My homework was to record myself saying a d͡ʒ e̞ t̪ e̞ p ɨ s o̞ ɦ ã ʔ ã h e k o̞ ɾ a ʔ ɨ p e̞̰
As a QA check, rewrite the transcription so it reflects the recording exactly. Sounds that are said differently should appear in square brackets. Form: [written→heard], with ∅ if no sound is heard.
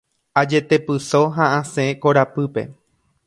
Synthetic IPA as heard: a d͡ʒ e̞ t̪ e̞ p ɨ s o̞ ɦ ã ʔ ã [h→s] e k o̞ ɾ a [ʔ→p] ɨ p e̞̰